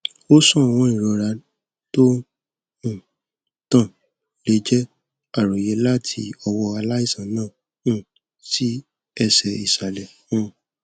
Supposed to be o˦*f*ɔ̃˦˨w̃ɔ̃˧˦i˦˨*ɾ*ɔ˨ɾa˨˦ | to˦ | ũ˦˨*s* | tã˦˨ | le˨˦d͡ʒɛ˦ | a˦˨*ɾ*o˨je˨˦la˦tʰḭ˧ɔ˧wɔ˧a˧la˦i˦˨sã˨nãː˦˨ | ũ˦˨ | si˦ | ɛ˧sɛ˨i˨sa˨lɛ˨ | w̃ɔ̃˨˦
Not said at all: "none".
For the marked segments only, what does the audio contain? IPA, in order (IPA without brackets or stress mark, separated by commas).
s, ɾ, none, ɾ